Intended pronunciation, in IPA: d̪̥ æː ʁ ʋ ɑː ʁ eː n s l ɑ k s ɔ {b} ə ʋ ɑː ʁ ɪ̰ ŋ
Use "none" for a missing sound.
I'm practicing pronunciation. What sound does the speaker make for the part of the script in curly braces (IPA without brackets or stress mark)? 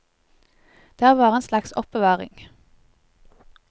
p